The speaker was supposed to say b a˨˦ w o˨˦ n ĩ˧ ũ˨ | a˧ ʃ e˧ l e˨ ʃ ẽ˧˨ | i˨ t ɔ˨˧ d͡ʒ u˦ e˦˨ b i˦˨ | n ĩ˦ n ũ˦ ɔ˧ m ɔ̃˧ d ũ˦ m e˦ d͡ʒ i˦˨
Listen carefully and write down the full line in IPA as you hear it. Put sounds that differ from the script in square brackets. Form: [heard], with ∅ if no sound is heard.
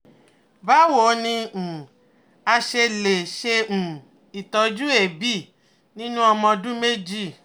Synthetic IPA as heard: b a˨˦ w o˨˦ n ĩ˧ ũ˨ | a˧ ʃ e˧ l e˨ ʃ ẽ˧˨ | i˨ t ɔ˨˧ d͡ʒ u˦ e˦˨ b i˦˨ | n ĩ˦ n ũ˦ ɔ˧ m ɔ̃˧ d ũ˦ m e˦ d͡ʒ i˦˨